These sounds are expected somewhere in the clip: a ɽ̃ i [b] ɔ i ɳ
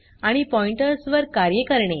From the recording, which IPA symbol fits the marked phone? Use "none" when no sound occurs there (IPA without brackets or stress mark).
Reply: p